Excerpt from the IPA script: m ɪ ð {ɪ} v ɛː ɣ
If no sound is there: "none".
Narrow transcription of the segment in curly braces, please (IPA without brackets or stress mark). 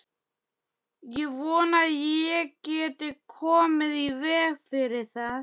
i